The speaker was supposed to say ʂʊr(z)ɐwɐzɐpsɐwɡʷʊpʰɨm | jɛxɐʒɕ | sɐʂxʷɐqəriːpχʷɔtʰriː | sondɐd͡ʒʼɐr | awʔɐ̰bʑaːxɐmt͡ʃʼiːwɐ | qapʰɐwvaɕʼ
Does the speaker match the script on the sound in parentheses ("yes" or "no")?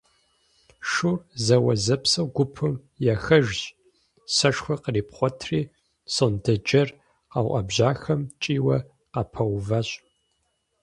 yes